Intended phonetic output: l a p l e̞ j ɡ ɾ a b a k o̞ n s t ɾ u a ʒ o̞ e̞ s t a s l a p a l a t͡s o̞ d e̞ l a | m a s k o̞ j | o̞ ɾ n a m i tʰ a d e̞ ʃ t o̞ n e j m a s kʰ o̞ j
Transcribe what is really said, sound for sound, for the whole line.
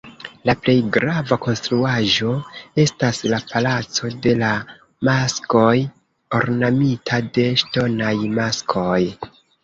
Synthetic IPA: l a p l e̞ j ɡ ɾ a v a k o̞ n s t ɾ u a ʒ o̞ e̞ s t a s l a p a l a t͡s o̞ d e̞ l a | m a s k o̞ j | o̞ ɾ n a m i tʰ a d e̞ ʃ t o̞ n a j m a s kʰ o̞ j